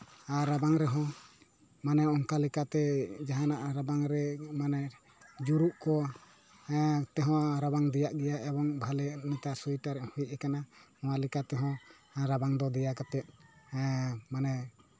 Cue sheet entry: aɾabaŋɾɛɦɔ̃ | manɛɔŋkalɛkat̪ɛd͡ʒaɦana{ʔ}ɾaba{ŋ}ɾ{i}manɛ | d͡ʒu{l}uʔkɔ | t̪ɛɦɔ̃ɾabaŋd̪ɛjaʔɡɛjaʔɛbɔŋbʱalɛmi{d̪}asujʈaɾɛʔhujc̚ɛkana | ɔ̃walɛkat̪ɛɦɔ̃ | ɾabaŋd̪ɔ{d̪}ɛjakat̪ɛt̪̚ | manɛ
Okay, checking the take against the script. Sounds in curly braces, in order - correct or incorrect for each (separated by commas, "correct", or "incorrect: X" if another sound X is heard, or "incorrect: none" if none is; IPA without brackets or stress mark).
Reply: correct, correct, incorrect: ɛ, incorrect: ɾ, incorrect: t̪, correct